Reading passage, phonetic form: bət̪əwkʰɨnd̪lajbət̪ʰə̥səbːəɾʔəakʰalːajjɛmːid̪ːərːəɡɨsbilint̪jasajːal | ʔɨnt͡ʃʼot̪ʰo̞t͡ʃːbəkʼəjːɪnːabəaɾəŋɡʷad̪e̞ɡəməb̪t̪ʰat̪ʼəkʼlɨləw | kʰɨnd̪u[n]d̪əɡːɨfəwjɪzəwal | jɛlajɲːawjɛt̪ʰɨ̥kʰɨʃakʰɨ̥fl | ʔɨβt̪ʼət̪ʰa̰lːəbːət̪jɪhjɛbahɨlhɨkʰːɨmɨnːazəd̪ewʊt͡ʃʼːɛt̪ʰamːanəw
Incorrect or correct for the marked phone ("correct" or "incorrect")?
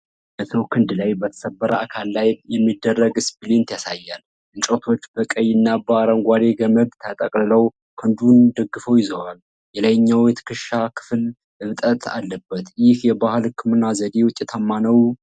correct